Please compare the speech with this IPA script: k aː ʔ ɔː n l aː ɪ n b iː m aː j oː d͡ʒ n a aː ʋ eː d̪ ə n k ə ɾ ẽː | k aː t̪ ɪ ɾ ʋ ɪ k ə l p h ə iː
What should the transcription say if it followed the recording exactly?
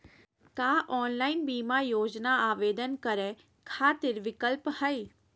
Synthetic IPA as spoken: k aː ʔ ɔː n l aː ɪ n b iː m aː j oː d͡ʒ n a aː ʋ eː d̪ ə n k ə ɾ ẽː | kʰ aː t̪ ɪ ɾ ʋ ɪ k ə l p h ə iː